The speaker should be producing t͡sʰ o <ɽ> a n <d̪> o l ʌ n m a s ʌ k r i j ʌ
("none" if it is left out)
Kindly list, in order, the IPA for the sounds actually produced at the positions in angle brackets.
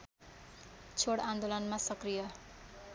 ɽ, d̪

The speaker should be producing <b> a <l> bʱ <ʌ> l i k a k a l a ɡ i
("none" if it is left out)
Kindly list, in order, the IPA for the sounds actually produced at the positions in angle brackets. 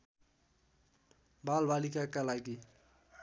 b, l, a

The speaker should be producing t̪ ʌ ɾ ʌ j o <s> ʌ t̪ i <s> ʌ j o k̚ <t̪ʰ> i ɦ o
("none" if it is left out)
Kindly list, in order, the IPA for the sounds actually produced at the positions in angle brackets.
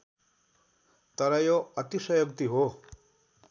none, s, t̪

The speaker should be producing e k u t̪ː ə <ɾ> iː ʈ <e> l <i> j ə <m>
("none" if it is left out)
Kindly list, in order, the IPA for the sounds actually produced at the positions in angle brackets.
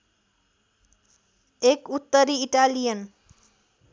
ɾ, a, i, n

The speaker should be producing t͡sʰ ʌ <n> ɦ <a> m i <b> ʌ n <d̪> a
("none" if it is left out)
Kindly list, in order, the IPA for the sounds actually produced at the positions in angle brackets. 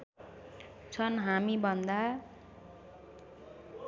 n, a, b, d̪

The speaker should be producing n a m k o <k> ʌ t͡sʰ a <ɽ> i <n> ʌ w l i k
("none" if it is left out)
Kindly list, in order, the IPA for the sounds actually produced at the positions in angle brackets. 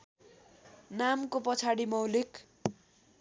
p, ɽ, m

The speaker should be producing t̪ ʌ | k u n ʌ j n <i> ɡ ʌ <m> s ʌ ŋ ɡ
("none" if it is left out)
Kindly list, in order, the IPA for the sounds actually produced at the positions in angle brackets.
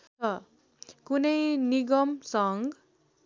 i, m

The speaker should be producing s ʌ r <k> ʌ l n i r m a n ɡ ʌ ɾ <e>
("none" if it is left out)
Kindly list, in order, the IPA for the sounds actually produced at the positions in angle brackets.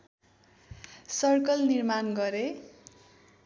k, e

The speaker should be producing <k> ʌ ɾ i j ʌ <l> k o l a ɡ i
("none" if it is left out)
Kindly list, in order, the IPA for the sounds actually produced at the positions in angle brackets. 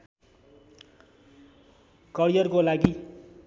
k, r

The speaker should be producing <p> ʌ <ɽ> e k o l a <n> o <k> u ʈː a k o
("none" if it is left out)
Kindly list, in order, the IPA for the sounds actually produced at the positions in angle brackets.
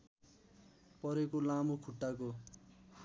p, ɾ, m, kʰ

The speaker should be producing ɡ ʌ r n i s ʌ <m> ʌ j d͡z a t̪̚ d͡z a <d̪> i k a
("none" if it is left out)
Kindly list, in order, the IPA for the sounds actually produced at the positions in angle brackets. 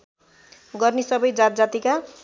b, t̪

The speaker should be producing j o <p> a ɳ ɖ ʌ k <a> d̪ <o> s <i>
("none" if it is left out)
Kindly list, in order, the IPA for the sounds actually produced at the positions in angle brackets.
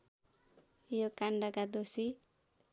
k, a, o, i

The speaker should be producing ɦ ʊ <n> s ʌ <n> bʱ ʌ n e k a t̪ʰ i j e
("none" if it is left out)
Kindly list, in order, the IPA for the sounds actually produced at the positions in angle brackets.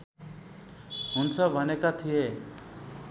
n, none

